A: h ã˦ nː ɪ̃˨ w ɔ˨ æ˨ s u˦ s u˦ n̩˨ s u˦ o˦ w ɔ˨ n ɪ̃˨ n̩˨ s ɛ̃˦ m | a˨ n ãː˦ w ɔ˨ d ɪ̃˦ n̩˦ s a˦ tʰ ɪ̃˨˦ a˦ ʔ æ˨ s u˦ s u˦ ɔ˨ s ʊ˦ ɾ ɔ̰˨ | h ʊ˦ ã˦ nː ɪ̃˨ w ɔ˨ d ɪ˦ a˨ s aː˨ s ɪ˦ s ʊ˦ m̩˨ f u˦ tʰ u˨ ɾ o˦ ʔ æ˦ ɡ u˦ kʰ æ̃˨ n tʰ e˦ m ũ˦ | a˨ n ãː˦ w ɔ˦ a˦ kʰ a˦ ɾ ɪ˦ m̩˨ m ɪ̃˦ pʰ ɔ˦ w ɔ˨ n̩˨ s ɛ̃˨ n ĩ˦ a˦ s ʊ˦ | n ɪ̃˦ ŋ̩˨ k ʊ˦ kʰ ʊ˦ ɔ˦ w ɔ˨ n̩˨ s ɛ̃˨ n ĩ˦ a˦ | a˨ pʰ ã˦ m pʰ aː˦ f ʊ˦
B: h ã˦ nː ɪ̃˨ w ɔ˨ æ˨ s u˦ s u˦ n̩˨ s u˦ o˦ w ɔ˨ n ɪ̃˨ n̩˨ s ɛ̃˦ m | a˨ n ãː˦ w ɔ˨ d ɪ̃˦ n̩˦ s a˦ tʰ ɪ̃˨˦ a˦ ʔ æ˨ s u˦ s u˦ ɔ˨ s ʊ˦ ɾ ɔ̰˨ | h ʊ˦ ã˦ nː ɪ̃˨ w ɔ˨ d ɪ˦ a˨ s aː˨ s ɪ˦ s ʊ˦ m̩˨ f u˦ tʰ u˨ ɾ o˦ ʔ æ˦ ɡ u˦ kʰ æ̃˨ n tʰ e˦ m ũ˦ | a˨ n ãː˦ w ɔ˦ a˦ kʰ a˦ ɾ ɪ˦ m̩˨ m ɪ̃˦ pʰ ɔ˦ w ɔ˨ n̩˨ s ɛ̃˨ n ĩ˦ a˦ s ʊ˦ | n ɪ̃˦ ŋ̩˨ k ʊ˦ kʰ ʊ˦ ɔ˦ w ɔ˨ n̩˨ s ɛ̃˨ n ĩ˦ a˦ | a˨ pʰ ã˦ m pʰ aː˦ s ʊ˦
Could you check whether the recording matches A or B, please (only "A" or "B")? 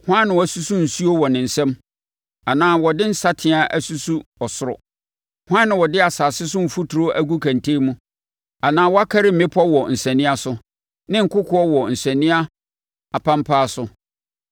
B